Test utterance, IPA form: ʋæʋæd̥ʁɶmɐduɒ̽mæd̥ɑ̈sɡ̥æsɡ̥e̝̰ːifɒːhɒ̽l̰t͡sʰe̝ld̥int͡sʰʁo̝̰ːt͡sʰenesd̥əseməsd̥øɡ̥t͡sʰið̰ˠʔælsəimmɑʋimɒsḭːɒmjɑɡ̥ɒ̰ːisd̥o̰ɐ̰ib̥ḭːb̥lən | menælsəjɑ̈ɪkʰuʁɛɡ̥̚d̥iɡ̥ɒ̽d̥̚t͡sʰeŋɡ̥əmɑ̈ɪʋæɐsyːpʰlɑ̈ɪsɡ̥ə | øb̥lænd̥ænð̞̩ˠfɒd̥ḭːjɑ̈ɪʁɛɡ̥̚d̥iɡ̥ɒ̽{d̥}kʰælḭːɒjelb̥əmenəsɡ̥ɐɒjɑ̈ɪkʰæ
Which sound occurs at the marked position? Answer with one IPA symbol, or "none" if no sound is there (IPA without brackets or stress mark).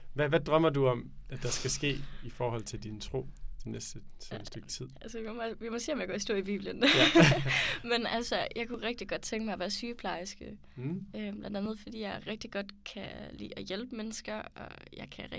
d̥